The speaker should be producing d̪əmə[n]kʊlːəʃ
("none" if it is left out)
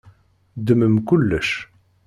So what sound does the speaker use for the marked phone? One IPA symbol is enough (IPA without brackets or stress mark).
m